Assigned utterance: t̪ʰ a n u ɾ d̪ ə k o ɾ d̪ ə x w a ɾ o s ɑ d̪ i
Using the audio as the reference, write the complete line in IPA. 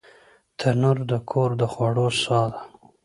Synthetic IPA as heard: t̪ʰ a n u ɾ d̪ ə kʰ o ɾ d̪ ə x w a ɽ o s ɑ d̪ a